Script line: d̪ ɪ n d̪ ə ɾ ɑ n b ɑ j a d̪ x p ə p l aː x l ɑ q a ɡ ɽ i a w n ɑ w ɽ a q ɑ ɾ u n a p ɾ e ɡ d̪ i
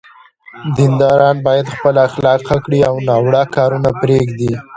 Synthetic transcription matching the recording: d̪ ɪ n d̪ ɑ ɾ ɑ n b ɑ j a d̪ x p ə l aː x l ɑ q a k ɽ i a w n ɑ w ɽ a k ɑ ɾ u n a p ɾ e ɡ d̪ i